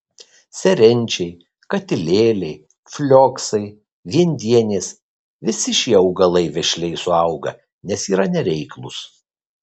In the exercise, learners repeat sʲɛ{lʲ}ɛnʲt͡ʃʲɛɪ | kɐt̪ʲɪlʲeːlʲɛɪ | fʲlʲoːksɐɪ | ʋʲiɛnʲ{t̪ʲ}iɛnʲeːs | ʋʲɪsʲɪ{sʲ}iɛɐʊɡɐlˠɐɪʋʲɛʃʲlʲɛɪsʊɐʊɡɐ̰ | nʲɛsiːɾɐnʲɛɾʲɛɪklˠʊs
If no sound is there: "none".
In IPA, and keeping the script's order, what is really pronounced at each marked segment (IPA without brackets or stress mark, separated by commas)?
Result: ɾʲ, d̪ʲ, ʃʲ